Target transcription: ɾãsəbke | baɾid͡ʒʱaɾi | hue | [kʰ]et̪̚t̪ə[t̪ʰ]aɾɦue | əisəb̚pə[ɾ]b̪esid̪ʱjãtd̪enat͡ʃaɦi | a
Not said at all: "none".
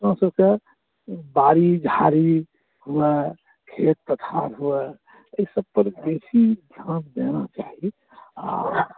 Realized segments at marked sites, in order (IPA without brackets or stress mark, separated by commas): kʰ, t̪ʰ, ɾ